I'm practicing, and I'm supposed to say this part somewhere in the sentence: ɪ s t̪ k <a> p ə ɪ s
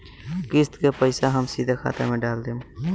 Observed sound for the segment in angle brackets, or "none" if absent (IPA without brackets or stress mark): e